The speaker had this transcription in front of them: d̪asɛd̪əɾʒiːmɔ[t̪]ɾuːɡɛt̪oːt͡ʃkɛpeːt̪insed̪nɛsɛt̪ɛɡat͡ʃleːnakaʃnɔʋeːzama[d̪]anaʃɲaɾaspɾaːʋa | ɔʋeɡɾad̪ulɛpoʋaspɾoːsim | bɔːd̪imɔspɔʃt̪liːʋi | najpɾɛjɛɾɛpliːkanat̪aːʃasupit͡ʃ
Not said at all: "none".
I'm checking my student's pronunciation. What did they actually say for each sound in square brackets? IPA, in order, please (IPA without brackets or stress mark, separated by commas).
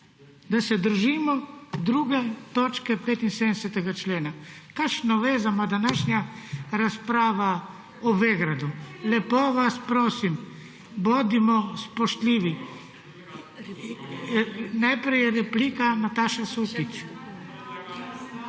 d̪, d̪